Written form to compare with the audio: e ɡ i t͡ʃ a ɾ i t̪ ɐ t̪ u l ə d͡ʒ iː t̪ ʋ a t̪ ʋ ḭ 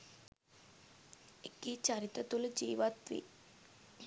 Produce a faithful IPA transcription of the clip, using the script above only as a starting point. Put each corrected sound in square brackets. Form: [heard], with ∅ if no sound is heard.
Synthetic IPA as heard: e [k] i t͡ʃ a ɾ i t̪ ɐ t̪ u l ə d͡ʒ iː [∅] ʋ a t̪ ʋ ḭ